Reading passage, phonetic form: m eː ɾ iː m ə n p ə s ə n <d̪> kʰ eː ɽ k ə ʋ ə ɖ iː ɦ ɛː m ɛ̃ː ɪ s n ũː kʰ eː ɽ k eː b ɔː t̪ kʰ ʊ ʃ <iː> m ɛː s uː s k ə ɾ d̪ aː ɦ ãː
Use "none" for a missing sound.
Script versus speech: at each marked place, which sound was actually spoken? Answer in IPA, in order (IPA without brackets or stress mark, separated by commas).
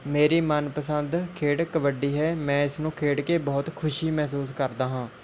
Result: d̪, iː